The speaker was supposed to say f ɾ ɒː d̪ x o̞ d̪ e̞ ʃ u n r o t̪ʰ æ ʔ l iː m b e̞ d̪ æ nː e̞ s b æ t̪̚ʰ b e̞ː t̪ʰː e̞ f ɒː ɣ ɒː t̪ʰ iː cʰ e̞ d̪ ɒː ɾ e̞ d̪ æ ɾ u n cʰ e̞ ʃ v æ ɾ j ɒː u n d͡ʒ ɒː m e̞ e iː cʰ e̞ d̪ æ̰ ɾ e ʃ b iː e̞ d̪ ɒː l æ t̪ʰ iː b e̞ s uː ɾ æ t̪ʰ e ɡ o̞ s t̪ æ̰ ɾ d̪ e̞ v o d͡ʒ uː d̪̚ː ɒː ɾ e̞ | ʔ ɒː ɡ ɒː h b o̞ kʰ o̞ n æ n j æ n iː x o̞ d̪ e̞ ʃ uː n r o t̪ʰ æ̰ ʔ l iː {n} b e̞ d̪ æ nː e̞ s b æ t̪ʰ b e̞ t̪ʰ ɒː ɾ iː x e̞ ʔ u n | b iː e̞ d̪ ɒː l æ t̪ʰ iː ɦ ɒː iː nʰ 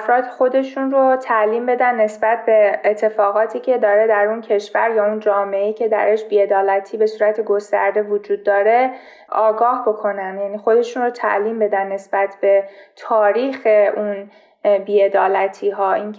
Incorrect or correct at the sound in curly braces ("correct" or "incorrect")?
incorrect